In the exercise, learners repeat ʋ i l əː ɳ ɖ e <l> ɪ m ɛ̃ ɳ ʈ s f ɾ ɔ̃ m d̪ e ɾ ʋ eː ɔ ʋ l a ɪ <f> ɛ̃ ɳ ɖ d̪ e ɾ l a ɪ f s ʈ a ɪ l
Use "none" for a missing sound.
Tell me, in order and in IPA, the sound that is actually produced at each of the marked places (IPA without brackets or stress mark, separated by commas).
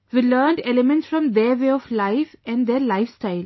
l, f